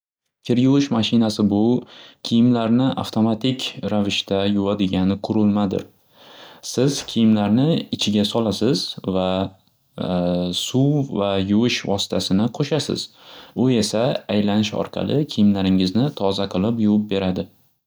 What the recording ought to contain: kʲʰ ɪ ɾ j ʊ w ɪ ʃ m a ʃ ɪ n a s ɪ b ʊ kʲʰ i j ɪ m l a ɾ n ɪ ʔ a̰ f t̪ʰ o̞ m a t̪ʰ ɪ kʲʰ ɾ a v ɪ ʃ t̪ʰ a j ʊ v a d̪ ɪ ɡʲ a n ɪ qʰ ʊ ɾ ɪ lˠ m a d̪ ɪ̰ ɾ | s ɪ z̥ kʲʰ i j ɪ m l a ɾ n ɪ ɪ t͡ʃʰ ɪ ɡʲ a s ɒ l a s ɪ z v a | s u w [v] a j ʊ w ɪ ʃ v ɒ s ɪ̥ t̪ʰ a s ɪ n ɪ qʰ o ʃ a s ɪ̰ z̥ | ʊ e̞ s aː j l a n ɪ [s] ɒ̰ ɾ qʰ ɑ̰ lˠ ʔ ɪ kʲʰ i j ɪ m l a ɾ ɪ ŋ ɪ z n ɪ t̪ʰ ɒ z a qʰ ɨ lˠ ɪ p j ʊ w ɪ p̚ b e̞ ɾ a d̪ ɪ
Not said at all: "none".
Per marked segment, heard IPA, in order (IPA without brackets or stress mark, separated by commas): v, ʃ